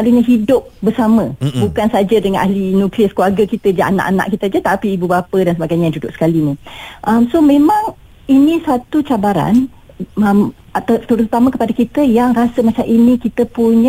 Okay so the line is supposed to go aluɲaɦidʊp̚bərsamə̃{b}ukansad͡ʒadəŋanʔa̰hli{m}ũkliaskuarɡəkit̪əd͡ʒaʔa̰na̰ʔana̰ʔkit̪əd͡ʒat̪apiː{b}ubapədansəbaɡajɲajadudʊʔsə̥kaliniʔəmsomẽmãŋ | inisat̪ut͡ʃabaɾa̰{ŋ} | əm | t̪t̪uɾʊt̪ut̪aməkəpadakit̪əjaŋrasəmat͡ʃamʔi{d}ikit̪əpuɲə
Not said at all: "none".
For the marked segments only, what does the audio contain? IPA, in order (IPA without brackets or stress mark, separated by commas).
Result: b, n, b, n, n